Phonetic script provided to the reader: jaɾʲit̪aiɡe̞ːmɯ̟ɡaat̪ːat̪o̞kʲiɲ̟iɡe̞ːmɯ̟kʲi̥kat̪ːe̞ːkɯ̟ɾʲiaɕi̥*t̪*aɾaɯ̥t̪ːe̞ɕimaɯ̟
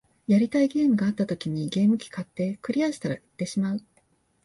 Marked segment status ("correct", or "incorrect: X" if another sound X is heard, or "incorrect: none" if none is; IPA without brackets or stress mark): correct